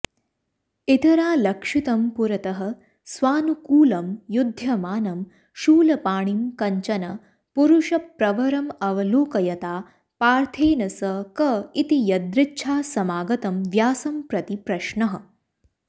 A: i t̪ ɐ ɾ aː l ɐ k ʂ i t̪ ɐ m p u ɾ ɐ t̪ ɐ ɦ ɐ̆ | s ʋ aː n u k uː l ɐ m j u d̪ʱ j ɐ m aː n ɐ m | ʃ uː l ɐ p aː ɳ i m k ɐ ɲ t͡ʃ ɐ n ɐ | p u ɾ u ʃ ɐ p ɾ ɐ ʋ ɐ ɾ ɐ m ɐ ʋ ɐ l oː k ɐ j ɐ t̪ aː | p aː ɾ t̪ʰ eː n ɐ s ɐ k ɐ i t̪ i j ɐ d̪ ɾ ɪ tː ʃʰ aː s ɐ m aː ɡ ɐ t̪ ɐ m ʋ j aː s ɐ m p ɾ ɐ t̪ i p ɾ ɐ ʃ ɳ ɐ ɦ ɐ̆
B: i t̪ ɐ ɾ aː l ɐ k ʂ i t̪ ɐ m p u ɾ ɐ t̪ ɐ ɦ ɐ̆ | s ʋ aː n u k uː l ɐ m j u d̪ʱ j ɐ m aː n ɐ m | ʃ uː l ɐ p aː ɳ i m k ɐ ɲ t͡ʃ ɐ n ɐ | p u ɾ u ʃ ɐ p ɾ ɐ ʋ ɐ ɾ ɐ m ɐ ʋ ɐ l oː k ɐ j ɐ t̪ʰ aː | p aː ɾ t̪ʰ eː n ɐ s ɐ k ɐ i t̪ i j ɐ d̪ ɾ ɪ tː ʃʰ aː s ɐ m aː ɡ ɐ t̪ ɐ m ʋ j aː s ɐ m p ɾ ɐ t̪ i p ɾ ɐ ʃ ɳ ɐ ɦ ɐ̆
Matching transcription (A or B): A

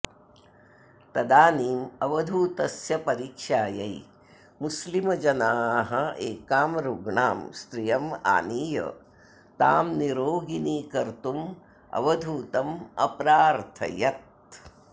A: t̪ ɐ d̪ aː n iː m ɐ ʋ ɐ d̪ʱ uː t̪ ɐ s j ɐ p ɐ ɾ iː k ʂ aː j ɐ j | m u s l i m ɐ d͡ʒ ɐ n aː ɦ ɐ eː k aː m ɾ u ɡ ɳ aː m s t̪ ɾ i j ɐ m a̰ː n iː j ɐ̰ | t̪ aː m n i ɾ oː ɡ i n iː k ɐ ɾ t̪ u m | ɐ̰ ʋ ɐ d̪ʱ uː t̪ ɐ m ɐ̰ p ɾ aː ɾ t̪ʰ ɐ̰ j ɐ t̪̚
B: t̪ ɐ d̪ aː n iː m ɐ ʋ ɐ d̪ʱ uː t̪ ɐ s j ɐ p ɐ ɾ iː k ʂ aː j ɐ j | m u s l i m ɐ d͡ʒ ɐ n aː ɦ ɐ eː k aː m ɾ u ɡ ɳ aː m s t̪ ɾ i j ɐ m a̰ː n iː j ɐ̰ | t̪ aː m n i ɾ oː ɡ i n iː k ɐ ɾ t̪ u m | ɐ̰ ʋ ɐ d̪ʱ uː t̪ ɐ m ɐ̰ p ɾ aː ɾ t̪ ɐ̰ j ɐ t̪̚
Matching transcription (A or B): A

